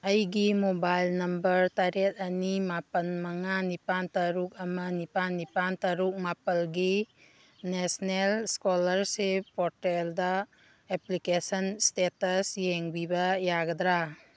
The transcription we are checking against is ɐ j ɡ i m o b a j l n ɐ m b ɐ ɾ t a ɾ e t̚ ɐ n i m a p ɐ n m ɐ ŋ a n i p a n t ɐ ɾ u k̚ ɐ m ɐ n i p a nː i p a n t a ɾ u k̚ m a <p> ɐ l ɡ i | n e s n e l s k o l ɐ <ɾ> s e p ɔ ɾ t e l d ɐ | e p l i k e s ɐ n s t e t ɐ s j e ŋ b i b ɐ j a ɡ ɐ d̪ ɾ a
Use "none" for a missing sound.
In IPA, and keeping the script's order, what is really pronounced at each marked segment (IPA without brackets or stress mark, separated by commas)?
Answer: p, ɾ